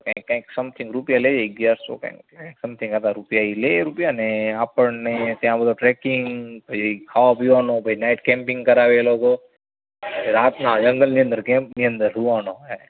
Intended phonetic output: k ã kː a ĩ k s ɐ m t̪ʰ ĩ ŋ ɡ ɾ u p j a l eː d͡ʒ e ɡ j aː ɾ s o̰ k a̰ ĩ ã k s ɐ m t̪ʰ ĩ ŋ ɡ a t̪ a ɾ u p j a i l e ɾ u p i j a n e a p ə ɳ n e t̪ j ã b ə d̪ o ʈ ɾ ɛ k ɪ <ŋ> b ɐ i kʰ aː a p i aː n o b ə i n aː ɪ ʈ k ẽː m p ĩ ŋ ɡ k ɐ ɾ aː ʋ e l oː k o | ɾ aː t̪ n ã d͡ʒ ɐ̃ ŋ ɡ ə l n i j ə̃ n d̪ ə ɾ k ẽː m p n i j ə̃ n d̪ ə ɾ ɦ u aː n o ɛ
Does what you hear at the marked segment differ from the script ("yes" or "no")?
no